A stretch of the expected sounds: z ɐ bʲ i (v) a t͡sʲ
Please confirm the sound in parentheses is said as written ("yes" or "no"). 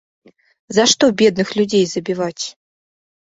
yes